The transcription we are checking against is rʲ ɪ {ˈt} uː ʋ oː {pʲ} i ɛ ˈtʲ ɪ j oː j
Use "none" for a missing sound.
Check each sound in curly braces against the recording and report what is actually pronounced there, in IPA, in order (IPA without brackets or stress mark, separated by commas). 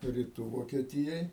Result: t, kʲ